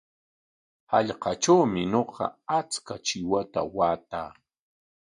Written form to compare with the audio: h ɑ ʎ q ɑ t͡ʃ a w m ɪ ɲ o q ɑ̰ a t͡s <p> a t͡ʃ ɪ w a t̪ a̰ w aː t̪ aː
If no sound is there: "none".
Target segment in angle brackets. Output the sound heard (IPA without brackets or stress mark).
k